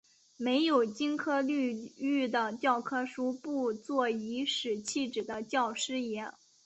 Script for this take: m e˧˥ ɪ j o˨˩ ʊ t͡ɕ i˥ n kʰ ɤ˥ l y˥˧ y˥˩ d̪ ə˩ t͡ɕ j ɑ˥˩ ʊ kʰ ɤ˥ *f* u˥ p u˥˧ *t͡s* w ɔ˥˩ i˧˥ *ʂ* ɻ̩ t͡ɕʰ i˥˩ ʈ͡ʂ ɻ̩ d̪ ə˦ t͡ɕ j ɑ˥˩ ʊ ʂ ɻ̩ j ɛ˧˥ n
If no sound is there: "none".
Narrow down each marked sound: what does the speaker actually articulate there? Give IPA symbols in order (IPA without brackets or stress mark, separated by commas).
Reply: ʂ, t͡s, ʂ